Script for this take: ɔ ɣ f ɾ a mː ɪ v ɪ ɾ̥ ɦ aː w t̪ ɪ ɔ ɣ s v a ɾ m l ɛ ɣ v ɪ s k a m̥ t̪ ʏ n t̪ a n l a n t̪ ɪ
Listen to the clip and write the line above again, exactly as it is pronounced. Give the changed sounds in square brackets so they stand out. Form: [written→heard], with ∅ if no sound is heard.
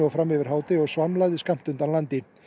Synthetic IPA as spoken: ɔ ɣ f ɾ a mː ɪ v ɪ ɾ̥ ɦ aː w t̪ ɪ ɔ ɣ s v a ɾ m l [ɛ→a] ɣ [v→ð] ɪ s k a m̥ t̪ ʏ n t̪ a n l a n t̪ ɪ